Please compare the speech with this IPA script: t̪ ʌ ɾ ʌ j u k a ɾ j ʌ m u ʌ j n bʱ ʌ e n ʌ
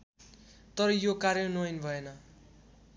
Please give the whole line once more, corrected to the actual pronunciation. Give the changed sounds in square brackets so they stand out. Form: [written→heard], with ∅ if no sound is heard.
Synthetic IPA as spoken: t̪ ʌ ɾ ʌ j [u→o] k a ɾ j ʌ [m→n] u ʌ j n bʱ ʌ e n ʌ